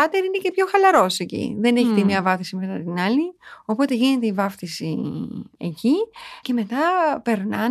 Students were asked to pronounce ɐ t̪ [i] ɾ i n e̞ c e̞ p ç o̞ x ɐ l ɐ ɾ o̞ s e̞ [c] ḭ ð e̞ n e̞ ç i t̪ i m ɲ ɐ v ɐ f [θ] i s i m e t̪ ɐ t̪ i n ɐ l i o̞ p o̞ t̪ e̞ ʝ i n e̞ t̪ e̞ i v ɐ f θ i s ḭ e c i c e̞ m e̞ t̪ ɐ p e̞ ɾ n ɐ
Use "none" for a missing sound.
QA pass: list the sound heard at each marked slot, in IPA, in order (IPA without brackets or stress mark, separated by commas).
e, c, θ